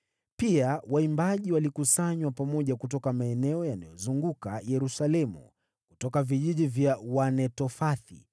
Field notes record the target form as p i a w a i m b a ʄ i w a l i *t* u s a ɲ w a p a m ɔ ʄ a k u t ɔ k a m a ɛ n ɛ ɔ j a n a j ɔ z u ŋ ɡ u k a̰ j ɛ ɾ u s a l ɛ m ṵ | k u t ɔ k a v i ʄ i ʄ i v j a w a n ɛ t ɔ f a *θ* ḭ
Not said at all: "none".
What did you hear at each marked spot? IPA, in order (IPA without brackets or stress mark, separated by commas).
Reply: k, θ